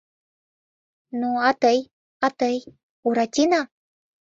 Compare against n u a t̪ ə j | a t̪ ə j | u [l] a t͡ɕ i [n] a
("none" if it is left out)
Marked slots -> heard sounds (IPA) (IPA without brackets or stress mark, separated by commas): ɾ, n